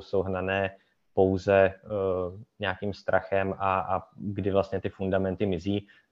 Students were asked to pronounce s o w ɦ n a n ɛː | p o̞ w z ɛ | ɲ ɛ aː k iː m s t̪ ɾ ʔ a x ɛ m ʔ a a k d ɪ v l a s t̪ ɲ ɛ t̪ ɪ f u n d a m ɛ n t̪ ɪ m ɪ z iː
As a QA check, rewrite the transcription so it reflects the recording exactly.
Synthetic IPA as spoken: s o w ɦ n a n ɛː | p o̞ w z ɛ | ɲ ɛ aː k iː m s t̪ ɾ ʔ a x ɛ m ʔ a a ɡ d ɪ v l a s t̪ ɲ ɛ t̪ ɪ f u n d a m ɛ n t̪ ɪ m ɪ z iː